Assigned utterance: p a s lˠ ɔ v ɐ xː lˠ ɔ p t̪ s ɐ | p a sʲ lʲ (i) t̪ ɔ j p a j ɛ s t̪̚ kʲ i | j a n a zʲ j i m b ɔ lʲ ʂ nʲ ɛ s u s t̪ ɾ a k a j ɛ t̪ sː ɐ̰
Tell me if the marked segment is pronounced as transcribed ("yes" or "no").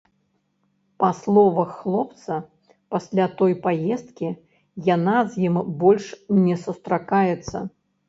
no